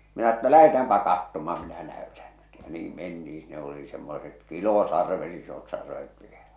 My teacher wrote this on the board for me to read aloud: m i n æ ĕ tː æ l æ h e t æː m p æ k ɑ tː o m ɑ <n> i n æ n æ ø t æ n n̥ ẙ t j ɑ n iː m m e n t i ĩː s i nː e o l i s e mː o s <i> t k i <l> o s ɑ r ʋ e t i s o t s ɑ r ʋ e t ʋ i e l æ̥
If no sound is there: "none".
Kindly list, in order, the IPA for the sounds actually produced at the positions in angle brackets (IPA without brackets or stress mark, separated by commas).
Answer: m, e, l